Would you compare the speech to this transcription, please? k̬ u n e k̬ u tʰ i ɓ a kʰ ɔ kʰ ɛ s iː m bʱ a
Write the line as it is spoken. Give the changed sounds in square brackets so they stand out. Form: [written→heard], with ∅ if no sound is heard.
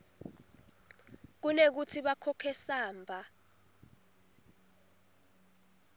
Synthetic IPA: k̬ u n e k̬ u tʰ i ɓ a kʰ ɔ kʰ ɛ s [iː→aː] m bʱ a